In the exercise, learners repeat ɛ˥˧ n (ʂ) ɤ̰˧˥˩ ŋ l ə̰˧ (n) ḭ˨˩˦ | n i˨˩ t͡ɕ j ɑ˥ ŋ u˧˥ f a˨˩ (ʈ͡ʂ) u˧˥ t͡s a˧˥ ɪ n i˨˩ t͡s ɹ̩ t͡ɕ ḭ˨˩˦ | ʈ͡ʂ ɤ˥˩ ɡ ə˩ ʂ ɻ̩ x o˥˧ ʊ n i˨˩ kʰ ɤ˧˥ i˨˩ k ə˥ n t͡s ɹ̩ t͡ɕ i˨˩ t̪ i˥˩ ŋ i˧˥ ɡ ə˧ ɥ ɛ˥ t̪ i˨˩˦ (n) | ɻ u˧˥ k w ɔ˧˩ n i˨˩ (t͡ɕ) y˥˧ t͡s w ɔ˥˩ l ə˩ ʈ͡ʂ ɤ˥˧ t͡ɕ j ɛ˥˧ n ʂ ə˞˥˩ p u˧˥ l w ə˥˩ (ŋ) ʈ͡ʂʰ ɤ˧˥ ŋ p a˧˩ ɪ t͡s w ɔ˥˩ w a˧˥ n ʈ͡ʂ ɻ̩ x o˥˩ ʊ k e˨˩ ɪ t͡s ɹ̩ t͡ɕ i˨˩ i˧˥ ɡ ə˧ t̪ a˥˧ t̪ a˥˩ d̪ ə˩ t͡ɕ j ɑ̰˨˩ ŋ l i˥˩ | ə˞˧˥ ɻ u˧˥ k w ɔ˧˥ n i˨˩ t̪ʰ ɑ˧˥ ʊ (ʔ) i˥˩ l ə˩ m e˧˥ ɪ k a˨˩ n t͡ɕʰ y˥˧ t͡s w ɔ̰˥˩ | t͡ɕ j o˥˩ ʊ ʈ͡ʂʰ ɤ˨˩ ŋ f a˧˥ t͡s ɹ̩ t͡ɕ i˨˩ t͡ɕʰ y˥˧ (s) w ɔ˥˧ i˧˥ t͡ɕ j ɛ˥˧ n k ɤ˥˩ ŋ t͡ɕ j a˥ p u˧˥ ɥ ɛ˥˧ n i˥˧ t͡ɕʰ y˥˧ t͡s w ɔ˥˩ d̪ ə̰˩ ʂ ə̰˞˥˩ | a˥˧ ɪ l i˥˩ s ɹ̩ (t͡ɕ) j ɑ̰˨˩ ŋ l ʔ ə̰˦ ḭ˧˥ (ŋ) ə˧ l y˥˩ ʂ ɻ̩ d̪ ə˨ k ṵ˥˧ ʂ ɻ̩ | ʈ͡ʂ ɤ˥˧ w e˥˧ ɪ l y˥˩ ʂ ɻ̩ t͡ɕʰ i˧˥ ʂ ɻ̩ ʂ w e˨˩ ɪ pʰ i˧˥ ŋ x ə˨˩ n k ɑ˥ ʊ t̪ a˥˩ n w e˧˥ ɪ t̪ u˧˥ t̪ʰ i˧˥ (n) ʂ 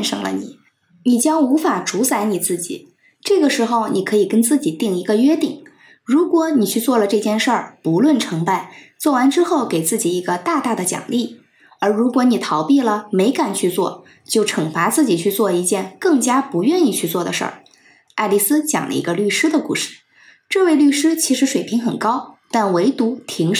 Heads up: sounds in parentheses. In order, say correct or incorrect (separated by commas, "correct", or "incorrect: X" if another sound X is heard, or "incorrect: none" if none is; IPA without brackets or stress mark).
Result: correct, correct, correct, incorrect: ŋ, incorrect: t͡ɕʰ, incorrect: n, incorrect: p, incorrect: t͡s, correct, incorrect: ɡ, incorrect: ŋ